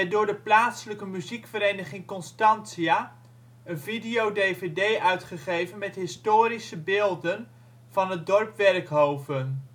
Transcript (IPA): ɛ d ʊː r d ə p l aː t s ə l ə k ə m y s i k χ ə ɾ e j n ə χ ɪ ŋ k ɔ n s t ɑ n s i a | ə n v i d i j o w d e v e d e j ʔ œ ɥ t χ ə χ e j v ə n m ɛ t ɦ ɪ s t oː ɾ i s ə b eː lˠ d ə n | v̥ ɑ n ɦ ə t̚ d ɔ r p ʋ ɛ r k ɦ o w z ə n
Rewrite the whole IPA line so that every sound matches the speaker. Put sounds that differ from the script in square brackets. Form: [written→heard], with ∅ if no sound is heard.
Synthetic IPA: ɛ d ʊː [r→ɹ] d ə p l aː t s ə l ə k ə m y [s→z] i k [χ→f] ə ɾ e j n ə χ ɪ ŋ k ɔ n s t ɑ n s i a | ə n v i d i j o w d e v e d e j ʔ œ ɥ t χ ə χ e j v ə n m ɛ t ɦ ɪ s t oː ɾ i s ə b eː lˠ d ə n | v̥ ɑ n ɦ ə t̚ d ɔ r p ʋ ɛ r k ɦ o w [z→v] ə n